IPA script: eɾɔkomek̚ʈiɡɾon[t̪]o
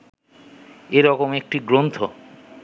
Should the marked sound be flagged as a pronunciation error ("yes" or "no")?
yes